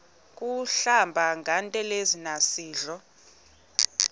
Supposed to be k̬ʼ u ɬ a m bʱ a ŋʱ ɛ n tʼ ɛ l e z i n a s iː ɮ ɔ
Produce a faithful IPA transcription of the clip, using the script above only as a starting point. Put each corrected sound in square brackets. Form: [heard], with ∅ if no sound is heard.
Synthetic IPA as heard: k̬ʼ u ɬ a m bʱ a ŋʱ [a] n tʼ ɛ l e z i n a s iː ɮ ɔ